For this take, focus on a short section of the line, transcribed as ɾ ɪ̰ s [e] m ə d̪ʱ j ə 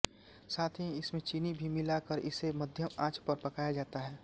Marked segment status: correct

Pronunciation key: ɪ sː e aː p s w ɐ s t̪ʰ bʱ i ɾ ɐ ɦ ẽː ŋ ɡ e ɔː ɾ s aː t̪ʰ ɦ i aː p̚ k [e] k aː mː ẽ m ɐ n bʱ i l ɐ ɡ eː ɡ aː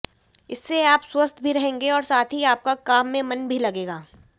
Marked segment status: incorrect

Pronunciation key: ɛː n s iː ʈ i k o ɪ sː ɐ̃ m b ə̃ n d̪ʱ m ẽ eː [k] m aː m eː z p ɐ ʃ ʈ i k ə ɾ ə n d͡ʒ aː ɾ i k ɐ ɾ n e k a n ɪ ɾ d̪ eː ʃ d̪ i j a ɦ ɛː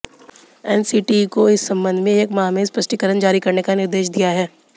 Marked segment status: correct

